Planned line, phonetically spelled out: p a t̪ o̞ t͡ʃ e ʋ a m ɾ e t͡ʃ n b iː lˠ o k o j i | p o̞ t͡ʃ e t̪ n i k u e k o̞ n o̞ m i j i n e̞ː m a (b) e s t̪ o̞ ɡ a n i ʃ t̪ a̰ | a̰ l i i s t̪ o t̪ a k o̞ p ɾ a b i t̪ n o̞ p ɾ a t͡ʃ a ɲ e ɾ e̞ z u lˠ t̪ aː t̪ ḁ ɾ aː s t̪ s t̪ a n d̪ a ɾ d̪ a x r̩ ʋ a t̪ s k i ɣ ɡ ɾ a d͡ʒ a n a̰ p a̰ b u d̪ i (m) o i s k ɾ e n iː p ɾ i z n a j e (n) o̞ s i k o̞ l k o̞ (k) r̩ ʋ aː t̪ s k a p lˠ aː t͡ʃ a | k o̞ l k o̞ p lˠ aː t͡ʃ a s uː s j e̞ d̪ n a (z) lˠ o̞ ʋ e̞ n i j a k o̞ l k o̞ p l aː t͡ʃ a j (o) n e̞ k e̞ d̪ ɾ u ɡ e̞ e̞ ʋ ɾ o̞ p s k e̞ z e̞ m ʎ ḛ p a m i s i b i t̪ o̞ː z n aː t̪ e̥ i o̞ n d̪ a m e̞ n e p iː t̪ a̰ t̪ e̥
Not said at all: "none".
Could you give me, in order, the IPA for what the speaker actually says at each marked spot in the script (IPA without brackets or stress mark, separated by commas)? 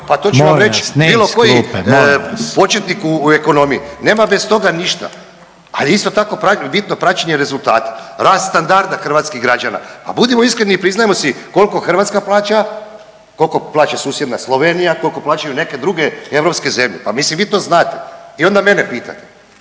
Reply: b, m, m, x, s, u